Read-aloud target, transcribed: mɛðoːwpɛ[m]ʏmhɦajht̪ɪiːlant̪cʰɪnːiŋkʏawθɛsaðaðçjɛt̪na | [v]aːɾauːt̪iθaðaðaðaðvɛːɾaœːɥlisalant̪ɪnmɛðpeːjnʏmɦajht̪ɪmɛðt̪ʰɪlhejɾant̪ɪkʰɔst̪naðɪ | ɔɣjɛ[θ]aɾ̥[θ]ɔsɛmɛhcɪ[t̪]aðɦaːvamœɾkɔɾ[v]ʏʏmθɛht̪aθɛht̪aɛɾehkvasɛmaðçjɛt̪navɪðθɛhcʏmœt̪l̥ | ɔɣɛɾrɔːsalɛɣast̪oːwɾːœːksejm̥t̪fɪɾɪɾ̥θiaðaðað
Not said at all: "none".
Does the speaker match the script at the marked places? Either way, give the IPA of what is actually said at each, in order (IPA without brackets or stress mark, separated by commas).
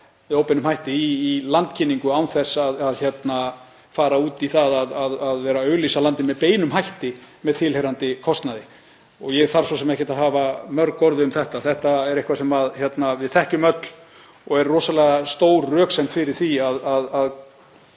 n, f, θ, s, t̪, ð